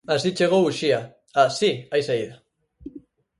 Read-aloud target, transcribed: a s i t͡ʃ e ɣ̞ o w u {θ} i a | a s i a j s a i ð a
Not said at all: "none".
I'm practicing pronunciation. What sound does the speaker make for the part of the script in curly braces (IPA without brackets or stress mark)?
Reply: ʃ